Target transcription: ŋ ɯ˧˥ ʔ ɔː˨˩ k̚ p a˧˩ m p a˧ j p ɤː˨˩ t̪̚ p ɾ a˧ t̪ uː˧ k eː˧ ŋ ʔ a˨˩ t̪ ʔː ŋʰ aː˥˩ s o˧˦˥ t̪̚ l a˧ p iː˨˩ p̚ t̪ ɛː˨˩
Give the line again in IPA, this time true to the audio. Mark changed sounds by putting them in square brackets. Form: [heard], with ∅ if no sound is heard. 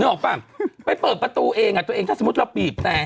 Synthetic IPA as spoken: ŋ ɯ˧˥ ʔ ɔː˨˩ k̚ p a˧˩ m p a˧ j p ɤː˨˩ t̪̚ p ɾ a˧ t̪ uː˧ [ʔ] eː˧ ŋ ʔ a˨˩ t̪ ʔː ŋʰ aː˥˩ s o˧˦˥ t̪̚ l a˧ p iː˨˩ p̚ t̪ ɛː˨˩